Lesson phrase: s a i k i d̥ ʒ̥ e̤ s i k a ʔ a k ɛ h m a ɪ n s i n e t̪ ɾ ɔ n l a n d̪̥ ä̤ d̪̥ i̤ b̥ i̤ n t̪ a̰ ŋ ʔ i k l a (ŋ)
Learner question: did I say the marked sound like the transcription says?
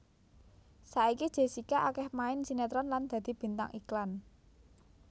no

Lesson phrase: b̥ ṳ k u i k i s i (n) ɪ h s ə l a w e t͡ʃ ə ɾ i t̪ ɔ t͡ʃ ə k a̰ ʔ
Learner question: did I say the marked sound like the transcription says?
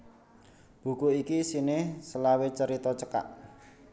yes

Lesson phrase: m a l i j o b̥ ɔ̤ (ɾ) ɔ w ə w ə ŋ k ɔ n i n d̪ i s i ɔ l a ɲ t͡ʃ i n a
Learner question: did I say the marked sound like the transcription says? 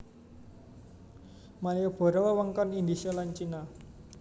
yes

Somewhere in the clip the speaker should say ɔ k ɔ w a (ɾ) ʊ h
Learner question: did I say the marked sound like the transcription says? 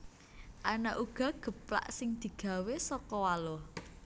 no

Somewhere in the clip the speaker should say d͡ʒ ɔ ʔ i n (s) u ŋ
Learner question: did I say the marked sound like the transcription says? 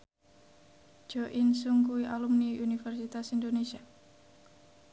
yes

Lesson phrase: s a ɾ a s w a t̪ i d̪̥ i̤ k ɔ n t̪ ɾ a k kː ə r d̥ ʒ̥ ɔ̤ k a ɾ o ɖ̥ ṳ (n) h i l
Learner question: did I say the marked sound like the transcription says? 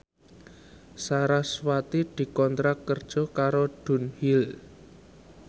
yes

